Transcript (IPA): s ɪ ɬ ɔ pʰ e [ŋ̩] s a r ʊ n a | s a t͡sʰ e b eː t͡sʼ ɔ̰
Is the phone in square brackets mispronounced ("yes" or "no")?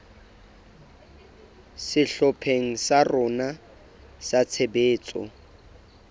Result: no